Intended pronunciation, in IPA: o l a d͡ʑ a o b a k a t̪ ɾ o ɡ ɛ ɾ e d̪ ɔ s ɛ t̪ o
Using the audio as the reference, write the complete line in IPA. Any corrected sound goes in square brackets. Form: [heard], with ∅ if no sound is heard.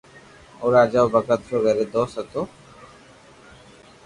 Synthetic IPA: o [ɾ] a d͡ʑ a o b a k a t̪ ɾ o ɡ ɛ ɾ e d̪ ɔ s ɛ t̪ o